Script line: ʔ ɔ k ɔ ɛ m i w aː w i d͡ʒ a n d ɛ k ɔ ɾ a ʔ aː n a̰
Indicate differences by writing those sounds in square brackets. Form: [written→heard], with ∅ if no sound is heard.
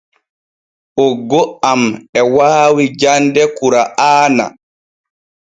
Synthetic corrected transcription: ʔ ɔ [k→ɡ] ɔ [ɛ→a] m [i→ɛ] w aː w i d͡ʒ a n d ɛ k [ɔ→u] ɾ a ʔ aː n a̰

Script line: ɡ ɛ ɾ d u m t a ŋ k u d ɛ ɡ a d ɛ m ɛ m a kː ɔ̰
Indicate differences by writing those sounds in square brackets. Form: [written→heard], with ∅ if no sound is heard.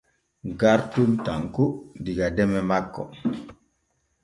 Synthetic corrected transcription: ɡ [ɛ→a] ɾ [d→t] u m t a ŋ k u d [ɛ→i] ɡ a d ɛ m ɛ m a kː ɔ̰

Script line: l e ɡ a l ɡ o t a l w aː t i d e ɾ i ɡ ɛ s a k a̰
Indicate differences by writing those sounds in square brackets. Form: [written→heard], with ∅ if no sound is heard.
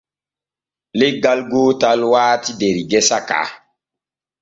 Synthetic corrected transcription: l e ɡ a l ɡ o t a l w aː t i d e ɾ i ɡ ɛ s a k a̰

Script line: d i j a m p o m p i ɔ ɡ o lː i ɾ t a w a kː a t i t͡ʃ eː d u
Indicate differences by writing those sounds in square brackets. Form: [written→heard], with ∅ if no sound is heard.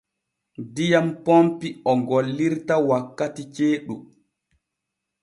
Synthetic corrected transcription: d i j a m p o m p i ɔ ɡ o lː i ɾ t a w a kː a t i t͡ʃ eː [d→ɗ] u

